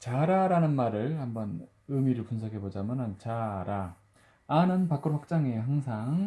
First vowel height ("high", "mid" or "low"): low